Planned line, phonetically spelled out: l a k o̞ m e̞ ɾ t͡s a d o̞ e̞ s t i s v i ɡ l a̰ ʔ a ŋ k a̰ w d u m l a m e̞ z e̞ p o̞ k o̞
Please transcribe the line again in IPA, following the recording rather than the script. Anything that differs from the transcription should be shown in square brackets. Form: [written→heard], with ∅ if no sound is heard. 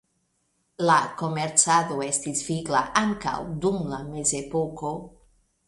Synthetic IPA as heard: l a k o̞ m e̞ ɾ t͡s a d o̞ e̞ s t i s v i ɡ l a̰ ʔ a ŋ k a̰ w d u m l a m e̞ z e̞ p o̞ k o̞